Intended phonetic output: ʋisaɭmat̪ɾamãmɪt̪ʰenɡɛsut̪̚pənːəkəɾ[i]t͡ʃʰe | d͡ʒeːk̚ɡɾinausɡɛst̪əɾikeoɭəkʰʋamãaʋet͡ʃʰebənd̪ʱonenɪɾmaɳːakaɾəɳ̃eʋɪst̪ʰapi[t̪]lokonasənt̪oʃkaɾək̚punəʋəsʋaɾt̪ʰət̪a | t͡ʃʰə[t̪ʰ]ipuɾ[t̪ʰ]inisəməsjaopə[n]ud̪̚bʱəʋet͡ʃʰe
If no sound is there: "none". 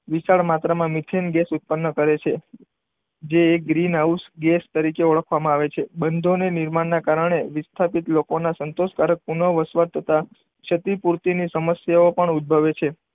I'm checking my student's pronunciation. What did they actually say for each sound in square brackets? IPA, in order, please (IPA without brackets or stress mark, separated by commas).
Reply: e, t̪, t̪, t̪, ɳ